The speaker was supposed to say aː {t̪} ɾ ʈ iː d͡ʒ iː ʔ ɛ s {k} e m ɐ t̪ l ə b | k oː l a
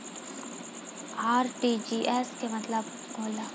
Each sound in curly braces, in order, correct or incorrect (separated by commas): incorrect, correct